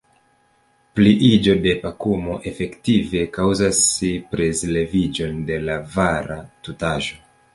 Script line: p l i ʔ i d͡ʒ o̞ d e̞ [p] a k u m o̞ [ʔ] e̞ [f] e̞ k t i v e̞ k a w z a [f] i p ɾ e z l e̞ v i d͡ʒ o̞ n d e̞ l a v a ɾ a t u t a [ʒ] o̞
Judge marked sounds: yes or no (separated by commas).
yes, yes, yes, no, yes